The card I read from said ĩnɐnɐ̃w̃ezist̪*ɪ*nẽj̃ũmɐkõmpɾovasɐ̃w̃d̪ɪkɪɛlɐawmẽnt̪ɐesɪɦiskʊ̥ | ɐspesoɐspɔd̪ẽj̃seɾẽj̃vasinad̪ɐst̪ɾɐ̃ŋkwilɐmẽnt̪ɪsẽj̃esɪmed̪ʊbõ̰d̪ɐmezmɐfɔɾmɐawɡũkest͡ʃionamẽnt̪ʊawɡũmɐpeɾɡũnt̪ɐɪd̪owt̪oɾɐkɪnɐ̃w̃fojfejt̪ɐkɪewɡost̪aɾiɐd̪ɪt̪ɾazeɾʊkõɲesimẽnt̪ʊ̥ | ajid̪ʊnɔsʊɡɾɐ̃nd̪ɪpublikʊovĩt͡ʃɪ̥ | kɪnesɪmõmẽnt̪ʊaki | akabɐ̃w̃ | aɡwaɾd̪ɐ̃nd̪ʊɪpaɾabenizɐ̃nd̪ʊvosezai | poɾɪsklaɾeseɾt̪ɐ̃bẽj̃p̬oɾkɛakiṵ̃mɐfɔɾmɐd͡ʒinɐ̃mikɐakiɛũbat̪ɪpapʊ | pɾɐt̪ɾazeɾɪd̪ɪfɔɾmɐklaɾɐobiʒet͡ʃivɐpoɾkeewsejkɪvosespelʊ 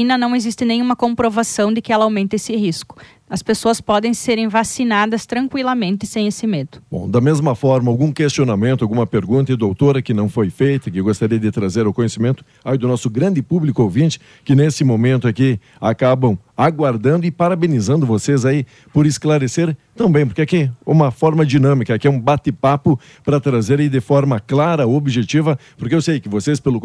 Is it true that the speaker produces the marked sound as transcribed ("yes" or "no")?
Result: yes